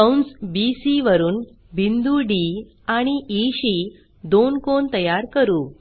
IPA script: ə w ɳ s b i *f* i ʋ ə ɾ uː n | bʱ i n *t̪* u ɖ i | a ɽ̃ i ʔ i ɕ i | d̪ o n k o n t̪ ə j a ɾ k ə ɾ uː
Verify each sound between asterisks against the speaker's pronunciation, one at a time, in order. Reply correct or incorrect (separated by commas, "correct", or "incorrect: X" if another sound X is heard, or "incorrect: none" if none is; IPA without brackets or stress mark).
incorrect: s, incorrect: d̪